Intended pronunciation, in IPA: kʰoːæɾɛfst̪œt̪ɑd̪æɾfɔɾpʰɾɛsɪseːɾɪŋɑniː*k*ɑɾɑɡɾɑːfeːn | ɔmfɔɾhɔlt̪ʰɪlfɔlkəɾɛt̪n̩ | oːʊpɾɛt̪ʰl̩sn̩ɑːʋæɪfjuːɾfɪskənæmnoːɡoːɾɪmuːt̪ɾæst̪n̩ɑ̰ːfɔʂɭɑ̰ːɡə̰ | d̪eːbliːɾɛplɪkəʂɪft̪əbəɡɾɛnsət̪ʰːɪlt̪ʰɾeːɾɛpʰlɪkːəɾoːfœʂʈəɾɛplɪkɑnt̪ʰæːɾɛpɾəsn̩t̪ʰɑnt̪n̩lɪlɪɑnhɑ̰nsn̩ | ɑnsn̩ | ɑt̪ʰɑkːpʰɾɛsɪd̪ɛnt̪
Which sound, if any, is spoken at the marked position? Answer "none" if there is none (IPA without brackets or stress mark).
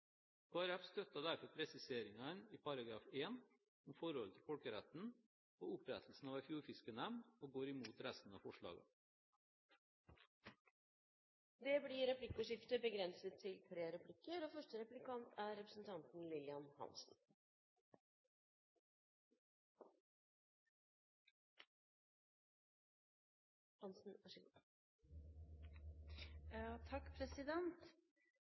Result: p